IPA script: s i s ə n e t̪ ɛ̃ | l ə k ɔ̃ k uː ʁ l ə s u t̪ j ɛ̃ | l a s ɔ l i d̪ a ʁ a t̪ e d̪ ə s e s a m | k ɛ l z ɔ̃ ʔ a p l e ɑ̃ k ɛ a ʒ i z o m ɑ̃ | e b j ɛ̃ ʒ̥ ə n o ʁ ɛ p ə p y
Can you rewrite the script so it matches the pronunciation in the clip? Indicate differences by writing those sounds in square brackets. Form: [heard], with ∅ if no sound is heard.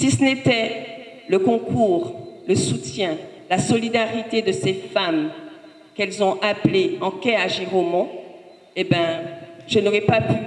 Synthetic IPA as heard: s i s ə n e t̪ [ɛ] | l ə k ɔ̃ k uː ʁ l ə s u t̪ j ɛ̃ | l a s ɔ l i d̪ a ʁ [i] t̪ e d̪ ə s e [f] a m | k ɛ l z ɔ̃ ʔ a p l e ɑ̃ k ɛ a ʒ i [ʁ] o m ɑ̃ | e b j ɛ̃ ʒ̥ ə n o ʁ ɛ p [a] p y

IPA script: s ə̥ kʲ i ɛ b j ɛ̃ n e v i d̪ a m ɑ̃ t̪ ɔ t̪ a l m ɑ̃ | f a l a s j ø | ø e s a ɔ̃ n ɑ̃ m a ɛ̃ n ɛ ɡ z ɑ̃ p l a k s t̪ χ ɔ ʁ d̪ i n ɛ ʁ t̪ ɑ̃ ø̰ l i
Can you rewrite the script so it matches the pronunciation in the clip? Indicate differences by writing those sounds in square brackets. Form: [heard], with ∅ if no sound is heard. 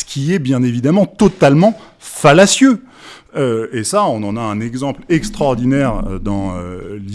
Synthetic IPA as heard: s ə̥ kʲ i ɛ b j ɛ̃ n e v i d̪ a m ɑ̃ t̪ ɔ t̪ a l m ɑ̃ | f a l a s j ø | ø e s a ɔ̃ n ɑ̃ [n] a ɛ̃ n ɛ ɡ z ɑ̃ p l [ɛ] k s t̪ χ ɔ ʁ d̪ i n ɛ ʁ [d̪] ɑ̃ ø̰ l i

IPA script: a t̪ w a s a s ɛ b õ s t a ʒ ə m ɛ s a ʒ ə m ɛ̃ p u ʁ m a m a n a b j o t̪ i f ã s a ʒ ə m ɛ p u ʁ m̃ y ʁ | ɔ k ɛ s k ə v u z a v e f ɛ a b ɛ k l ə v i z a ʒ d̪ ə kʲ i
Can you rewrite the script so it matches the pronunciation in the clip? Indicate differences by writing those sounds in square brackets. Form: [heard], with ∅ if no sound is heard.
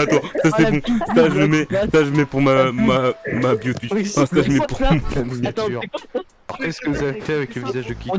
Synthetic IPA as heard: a t̪ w a s a s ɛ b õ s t a ʒ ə m ɛ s a ʒ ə m [ɛ] p u ʁ m a m a [m] a b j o t̪ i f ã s a ʒ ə m ɛ p u ʁ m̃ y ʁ | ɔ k ɛ s k ə v u z a v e f ɛ a [v] ɛ k l ə v i z a ʒ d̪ ə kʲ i

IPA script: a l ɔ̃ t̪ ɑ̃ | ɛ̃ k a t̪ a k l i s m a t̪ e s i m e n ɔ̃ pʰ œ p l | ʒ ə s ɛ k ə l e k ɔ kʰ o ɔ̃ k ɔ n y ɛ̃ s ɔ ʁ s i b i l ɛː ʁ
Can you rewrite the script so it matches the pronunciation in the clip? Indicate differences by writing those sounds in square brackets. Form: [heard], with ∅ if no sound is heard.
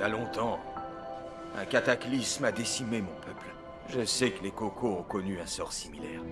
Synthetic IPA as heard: a l ɔ̃ t̪ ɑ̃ | ɛ̃ k a t̪ a k l i s m a [d̪] e s i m e [m] ɔ̃ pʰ œ p l | ʒ ə s ɛ k ə l e k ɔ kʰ o ɔ̃ k ɔ n y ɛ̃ s ɔ ʁ s i [m] i l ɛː ʁ

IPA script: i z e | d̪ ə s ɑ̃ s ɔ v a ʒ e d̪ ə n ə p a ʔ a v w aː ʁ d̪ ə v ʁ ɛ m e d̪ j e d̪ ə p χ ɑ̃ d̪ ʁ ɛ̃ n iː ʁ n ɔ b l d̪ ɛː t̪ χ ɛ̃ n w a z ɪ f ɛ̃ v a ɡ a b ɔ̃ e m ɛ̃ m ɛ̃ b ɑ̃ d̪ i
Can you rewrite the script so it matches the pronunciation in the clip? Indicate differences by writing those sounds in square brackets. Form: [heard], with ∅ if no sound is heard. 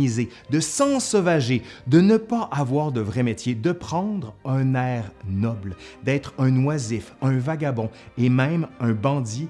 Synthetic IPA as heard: i z e | d̪ ə s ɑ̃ s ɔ v a ʒ e d̪ ə n ə p a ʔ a v w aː ʁ d̪ ə v ʁ ɛ m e [t̪] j e d̪ ə p χ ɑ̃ d̪ ʁ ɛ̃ n [ɛː] ʁ n ɔ b l d̪ ɛː t̪ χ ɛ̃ n w a z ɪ f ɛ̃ v a ɡ a b ɔ̃ e m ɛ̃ m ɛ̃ b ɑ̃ d̪ i

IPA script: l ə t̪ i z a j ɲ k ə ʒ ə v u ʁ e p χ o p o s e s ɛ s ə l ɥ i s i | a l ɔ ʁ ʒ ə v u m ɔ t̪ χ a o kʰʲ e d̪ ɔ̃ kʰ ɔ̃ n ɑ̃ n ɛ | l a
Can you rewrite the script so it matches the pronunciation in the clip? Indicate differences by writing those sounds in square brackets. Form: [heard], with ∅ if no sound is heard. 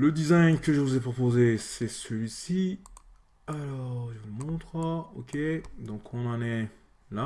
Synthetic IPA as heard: l ə [d̪] i z a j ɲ k ə ʒ ə v u [z] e p χ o p o [z] e s ɛ s ə l ɥ i s i | a l ɔ ʁ ʒ ə v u m [ɔ̃] t̪ χ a o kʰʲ e d̪ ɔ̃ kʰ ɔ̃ n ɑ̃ n ɛ | l a

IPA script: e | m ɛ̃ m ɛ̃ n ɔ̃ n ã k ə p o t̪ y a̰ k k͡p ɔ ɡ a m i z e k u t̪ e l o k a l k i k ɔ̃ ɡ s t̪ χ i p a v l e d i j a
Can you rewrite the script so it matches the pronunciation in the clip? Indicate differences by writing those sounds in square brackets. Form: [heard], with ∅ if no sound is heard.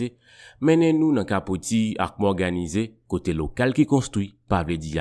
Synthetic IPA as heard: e | m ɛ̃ [n] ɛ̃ n [ũ] n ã k [a] p o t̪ [i] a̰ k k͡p ɔ ɡ a [n] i z e k [o] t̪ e l o k a l k i k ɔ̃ [∅] s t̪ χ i p a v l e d i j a

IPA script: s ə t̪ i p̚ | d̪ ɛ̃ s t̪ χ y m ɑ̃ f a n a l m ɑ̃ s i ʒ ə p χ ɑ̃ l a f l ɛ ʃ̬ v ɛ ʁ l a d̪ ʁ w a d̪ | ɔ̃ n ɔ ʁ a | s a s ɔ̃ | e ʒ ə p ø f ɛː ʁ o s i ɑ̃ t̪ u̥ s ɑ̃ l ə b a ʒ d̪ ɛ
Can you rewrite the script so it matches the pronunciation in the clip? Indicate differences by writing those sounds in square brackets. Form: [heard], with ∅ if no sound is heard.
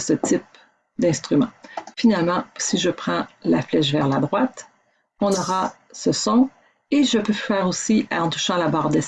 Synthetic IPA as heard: s ə t̪ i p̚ | d̪ ɛ̃ s t̪ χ y m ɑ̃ f [i] n a l m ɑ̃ s i ʒ ə p χ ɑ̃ l a f l ɛ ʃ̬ v ɛ ʁ l a d̪ ʁ w a [t̪] | ɔ̃ n ɔ ʁ a | s [ə] s ɔ̃ | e ʒ ə p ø f ɛː ʁ o s i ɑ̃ t̪ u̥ [ʃ] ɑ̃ l [a] b a [ʁ] d̪ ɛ

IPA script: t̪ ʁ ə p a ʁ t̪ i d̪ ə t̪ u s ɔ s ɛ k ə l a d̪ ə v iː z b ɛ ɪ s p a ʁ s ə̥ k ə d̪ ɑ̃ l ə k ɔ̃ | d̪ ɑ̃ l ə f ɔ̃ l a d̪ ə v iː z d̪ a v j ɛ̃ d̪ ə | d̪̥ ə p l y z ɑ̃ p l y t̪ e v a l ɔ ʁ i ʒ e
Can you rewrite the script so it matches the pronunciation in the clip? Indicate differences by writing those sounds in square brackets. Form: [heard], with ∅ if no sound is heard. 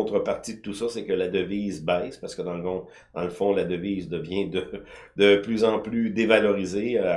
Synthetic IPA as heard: t̪ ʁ ə p a ʁ t̪ i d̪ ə t̪ u s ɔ s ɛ k ə l a d̪ ə v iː z b ɛ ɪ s p a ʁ s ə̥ k ə d̪ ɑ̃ l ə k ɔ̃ | d̪ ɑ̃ l ə f ɔ̃ l a d̪ ə v iː z d̪ [ə] v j ɛ̃ d̪ ə | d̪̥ ə p l y z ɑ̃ p l y [d̪] e v a l ɔ ʁ i [z] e

